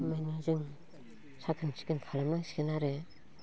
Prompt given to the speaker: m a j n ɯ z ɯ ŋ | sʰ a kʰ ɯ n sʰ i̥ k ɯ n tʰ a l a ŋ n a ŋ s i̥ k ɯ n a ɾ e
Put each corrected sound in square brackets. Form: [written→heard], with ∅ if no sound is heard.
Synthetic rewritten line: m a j n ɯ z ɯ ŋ | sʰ a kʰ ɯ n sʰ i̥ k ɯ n [tʰ→kʰ] a l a [ŋ→m] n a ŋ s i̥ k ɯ n a ɾ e